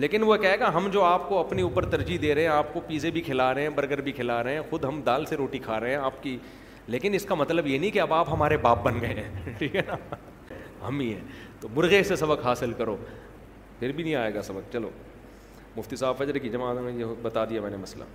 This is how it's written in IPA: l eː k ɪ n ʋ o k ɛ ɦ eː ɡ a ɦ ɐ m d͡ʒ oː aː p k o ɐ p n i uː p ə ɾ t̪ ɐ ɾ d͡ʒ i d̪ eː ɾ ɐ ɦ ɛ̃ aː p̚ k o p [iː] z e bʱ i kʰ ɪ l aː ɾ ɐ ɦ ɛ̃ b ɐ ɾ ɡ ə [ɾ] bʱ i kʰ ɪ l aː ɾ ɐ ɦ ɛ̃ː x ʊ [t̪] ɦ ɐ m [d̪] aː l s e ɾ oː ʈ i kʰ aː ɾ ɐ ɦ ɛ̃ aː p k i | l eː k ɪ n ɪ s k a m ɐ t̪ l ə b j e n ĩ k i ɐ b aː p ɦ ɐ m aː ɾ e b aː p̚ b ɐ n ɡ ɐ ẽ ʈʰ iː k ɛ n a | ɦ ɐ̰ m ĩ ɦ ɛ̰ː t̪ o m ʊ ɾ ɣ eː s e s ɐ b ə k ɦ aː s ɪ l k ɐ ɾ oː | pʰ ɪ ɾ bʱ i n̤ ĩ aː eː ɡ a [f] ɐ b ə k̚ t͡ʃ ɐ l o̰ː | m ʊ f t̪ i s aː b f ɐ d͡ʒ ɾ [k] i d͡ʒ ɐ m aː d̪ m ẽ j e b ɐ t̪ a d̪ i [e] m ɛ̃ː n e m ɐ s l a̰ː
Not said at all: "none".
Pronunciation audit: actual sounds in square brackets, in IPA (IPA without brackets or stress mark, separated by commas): iː, ɾ, d̪, d̪, s, k, a